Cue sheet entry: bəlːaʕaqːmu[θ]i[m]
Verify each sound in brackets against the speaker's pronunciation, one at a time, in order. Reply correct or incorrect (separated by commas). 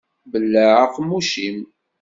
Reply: incorrect, correct